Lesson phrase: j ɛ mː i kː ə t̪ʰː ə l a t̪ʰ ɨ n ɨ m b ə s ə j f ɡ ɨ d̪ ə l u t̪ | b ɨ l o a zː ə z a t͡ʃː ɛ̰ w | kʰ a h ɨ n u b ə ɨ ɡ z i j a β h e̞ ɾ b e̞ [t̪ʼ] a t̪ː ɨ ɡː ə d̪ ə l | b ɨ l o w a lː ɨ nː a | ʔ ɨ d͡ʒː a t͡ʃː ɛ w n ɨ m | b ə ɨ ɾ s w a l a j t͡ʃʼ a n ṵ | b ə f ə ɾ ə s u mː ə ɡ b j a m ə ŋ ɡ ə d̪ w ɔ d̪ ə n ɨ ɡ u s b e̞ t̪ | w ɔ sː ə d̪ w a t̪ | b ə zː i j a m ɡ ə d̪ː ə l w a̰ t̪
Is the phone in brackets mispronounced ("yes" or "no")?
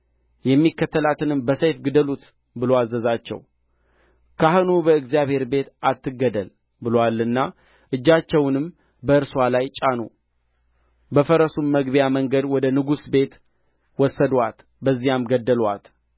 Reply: yes